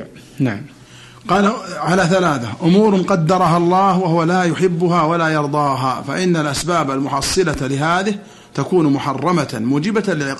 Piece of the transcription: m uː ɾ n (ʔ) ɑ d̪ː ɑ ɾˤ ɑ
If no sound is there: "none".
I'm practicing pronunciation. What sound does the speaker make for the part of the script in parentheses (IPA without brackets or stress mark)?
q